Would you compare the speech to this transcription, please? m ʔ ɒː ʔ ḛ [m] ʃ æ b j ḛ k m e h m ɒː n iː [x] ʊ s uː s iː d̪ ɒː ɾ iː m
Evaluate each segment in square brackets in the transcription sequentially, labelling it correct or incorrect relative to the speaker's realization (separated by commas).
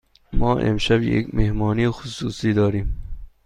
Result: correct, correct